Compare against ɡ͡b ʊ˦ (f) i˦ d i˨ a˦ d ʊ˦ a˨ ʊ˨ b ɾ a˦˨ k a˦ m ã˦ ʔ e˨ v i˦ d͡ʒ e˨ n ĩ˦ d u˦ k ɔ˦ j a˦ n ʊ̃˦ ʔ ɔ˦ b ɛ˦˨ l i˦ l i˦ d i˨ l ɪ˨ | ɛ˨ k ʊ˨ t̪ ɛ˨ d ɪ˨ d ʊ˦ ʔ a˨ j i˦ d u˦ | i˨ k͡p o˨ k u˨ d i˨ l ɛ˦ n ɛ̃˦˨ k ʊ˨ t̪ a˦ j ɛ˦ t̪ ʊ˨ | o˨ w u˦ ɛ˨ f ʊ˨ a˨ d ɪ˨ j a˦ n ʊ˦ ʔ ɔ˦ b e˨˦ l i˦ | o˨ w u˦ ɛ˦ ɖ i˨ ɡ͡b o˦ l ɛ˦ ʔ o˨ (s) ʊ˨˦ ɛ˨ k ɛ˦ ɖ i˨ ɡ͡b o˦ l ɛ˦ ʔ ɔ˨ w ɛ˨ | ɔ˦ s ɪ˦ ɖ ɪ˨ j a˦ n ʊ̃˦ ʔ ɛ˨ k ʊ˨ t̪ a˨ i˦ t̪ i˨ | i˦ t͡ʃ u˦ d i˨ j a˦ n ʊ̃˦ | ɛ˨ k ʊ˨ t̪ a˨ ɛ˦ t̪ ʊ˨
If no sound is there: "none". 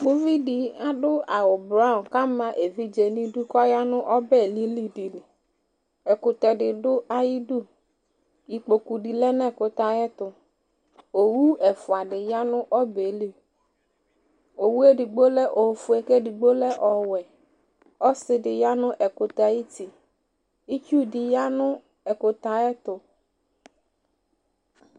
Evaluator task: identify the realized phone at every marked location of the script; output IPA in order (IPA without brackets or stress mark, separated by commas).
v, f